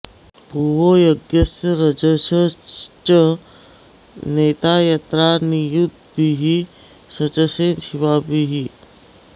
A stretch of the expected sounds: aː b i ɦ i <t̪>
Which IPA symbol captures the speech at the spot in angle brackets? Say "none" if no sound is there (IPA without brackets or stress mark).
none